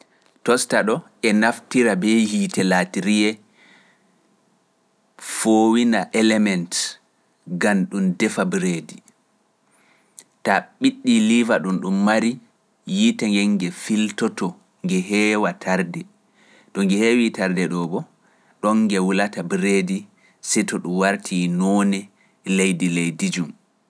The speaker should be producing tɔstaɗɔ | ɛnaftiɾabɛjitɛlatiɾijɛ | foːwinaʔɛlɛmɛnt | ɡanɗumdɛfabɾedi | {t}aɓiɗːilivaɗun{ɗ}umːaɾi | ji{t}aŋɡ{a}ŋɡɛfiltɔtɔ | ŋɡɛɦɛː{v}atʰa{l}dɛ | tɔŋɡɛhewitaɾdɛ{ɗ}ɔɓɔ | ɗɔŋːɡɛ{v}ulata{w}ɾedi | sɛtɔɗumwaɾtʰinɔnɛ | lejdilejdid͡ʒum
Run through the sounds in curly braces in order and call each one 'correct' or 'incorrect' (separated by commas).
correct, correct, correct, incorrect, incorrect, incorrect, correct, incorrect, incorrect